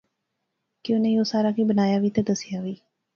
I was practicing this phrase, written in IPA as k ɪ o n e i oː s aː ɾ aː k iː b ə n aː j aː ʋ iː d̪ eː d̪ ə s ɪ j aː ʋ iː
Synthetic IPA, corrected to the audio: k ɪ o n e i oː s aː ɾ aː k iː b ə n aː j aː ʋ iː t̪ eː d̪ ə s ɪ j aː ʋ iː